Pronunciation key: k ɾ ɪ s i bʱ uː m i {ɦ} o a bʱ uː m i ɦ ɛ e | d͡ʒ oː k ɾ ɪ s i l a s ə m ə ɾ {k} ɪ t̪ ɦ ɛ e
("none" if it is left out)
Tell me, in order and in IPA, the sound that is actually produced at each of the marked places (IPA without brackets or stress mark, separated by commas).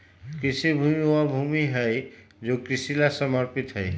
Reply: none, p